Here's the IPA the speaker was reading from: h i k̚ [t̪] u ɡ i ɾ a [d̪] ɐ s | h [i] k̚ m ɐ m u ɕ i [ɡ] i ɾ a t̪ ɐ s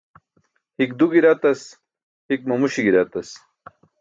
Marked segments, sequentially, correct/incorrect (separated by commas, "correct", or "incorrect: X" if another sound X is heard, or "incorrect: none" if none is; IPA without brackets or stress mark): incorrect: d̪, incorrect: t̪, correct, correct